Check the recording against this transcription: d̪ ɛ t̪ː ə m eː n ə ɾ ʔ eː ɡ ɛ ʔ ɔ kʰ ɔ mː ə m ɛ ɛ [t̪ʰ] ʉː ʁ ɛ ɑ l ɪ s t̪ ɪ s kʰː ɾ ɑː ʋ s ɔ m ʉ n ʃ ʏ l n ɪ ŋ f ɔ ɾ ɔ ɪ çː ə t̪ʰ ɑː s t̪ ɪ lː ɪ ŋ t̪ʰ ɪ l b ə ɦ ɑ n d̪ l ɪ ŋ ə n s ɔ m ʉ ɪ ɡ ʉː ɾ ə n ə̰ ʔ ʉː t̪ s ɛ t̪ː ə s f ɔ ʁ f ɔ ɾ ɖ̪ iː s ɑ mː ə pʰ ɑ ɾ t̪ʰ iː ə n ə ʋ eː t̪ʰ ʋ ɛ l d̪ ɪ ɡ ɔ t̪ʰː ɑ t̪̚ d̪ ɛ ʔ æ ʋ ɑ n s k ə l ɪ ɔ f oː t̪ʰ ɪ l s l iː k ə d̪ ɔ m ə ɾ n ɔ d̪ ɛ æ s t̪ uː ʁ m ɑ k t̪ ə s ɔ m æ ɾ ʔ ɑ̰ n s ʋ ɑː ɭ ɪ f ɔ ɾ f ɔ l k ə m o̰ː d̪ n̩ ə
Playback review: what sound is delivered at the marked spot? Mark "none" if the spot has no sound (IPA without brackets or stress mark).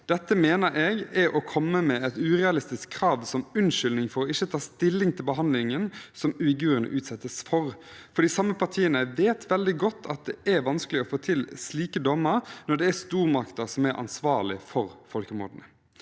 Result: t̪